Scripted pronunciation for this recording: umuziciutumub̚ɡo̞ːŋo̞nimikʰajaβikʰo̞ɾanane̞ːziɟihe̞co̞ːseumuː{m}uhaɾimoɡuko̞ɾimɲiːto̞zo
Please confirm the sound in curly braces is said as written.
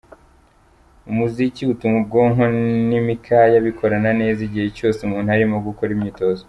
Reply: no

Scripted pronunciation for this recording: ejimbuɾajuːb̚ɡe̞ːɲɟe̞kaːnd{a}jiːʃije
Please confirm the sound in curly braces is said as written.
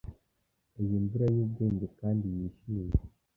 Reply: no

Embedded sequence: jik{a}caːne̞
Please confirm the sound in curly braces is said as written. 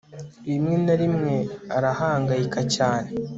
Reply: yes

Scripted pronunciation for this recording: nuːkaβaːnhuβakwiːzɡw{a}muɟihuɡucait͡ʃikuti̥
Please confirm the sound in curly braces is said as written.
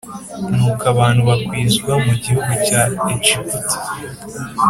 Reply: yes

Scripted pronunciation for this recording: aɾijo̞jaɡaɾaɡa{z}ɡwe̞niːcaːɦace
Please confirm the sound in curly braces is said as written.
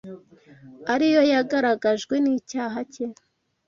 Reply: no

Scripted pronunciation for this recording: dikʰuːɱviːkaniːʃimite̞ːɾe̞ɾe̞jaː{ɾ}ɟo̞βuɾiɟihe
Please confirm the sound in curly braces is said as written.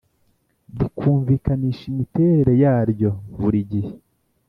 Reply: yes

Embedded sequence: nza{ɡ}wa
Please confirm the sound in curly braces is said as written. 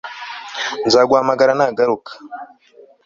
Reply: yes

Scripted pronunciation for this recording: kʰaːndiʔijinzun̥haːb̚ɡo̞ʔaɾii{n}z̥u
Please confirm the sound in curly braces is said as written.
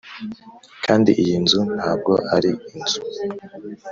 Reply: yes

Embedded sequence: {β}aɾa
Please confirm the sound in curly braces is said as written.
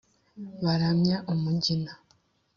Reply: yes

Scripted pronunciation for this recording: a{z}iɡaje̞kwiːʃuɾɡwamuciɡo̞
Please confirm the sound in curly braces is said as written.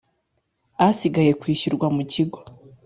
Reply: no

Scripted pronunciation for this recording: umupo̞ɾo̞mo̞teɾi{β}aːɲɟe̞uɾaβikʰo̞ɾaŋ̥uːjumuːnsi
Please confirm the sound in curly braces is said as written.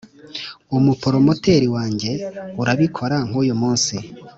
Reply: no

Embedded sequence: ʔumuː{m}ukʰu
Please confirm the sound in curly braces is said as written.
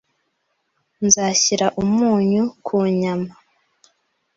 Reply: no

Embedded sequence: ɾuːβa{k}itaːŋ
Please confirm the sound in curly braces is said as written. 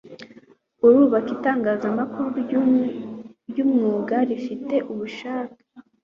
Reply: yes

